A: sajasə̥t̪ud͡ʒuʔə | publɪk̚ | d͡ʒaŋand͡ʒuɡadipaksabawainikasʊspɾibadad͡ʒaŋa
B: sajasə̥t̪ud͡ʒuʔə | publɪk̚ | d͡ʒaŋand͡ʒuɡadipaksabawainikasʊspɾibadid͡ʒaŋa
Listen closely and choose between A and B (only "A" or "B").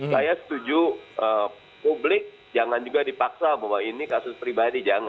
B